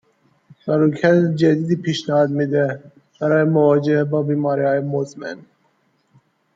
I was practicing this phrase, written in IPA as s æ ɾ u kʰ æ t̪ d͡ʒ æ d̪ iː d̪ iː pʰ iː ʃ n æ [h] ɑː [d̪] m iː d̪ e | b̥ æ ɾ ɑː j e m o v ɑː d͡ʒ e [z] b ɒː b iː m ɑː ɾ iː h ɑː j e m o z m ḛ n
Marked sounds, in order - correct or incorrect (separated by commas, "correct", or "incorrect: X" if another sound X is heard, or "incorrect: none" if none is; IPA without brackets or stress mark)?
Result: correct, correct, incorrect: none